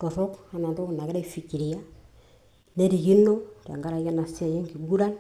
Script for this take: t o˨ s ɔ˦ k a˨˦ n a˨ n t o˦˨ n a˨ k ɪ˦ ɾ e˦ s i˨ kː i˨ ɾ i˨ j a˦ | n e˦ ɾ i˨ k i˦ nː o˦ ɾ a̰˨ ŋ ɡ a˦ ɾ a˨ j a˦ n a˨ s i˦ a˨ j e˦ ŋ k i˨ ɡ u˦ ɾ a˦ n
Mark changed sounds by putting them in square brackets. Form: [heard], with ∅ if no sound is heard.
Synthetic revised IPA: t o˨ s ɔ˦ k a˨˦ n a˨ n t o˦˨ n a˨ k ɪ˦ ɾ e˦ [f] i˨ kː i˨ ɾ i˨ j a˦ | n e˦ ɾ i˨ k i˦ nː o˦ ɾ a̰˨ ŋ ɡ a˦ ɾ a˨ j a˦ n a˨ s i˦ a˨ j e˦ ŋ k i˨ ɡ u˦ ɾ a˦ n